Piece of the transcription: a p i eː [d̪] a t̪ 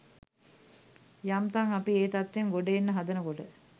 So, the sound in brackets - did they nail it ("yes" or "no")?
no